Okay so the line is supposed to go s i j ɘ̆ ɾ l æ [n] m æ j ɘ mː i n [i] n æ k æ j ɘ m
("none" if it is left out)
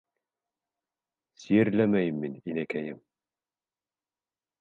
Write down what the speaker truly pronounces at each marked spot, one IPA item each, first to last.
none, i

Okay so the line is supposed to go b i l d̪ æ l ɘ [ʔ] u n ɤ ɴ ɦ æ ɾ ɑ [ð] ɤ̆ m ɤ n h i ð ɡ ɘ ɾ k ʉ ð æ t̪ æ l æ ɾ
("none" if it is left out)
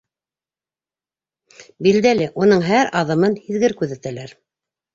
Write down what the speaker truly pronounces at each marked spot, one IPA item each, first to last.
ʔ, ð

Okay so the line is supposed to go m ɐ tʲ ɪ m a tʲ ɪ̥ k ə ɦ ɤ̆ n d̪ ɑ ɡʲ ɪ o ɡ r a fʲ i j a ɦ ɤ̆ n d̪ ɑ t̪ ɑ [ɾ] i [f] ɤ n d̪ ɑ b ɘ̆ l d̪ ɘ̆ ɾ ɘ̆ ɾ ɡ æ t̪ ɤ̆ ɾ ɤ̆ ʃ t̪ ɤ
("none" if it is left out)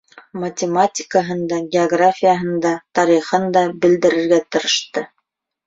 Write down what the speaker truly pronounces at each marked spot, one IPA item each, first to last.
ɾ, χ

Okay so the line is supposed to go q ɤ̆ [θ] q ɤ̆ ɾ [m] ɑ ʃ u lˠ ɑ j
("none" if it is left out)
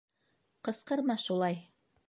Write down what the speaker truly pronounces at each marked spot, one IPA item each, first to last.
s, m

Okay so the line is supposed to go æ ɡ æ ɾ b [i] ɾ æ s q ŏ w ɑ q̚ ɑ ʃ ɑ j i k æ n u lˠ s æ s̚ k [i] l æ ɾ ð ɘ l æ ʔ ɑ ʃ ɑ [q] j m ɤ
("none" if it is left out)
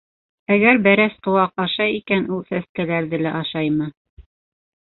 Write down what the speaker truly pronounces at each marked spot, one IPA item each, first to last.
æ, æ, none

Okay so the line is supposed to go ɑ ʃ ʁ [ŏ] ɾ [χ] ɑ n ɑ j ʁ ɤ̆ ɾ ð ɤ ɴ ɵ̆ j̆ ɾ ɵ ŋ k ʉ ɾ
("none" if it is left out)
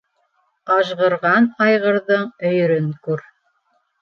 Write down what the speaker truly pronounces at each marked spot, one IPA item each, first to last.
ɤ̆, ʁ

